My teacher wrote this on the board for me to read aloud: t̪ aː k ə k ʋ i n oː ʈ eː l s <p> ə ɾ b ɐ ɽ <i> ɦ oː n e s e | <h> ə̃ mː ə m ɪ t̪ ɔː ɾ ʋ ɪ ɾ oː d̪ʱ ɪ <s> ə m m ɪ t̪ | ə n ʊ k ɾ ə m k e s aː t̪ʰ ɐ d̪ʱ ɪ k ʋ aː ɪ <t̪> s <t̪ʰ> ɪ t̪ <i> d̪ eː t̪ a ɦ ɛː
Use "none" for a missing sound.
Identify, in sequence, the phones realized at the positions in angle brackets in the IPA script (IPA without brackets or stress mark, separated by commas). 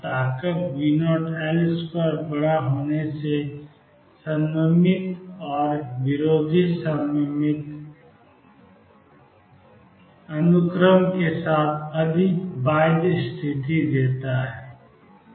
p, a, s, s, d̪, t̪ʰ, i